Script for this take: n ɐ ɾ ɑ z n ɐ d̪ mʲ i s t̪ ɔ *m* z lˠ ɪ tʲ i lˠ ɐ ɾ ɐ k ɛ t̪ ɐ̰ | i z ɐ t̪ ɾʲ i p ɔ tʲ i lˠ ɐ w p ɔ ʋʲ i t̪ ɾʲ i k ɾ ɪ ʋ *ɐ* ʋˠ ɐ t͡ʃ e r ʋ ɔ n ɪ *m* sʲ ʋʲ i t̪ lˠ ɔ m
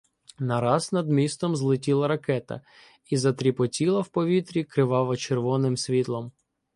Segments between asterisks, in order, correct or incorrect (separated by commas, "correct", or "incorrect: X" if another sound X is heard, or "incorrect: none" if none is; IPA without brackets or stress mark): correct, incorrect: ɑ, correct